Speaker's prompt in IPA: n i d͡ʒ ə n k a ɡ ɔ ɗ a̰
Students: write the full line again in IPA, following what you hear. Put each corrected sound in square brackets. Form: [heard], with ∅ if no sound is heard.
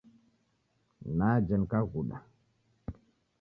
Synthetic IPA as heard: n [a] d͡ʒ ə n k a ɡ [u] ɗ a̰